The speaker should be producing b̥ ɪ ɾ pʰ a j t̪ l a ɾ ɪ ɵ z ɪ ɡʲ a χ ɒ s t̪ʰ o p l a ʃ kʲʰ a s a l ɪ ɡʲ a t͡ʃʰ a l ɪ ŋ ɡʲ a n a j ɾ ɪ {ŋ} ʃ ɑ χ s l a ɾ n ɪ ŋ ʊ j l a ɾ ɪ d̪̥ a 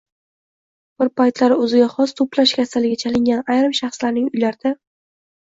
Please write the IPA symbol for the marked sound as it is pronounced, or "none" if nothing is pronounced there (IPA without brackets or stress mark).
m